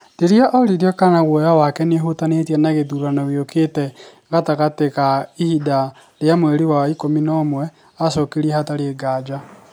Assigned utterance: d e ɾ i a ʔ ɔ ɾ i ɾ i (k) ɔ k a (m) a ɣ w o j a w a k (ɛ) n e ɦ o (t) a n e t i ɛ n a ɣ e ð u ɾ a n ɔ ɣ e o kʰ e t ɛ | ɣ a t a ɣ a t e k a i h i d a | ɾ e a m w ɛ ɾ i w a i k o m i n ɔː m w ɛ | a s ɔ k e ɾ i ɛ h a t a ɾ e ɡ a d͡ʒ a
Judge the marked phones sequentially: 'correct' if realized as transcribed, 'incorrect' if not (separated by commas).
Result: incorrect, incorrect, correct, correct